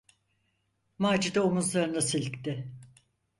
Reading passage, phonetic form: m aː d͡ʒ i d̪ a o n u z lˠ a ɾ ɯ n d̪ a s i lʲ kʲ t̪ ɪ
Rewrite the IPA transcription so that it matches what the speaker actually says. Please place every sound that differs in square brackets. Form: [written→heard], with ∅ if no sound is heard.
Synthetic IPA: m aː d͡ʒ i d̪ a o [n→m] u z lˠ a ɾ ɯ n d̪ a s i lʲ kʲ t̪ ɪ